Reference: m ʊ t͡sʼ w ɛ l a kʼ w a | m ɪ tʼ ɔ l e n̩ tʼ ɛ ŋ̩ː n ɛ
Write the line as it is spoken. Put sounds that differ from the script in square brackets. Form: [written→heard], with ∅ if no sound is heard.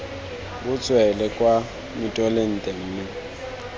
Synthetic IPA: [m→b] ʊ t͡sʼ w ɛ l [a→ɛ] kʼ w a | m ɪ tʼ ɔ l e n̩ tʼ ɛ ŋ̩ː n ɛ